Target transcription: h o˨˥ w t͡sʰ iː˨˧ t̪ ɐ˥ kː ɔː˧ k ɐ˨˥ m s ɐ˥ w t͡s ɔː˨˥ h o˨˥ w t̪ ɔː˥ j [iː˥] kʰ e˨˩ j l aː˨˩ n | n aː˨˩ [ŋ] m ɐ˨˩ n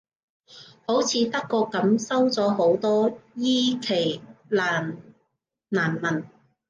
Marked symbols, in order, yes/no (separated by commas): yes, no